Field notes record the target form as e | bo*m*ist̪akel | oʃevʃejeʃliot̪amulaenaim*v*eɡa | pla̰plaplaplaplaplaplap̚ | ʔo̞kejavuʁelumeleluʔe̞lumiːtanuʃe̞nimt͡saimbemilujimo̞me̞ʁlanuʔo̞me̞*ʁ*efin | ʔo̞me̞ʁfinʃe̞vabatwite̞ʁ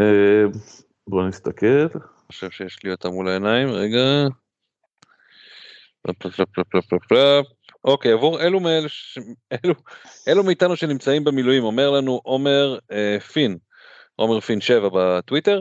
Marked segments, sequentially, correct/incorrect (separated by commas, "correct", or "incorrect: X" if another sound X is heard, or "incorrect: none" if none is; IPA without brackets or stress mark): incorrect: n, incorrect: ʁ, correct